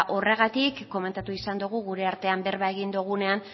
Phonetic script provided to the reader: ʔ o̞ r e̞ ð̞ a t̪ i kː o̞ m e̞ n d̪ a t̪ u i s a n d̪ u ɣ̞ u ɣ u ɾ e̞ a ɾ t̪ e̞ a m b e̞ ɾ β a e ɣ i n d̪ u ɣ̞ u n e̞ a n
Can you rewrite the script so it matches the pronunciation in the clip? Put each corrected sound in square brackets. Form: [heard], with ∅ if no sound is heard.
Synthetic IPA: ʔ o̞ r e̞ [ɣ̞] a t̪ i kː o̞ m e̞ n [t̪] a t̪ u i s a n d̪ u ɣ̞ u ɣ u ɾ e̞ a ɾ t̪ e̞ a m b e̞ ɾ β a e ɣ i n d̪ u ɣ̞ u n e̞ a n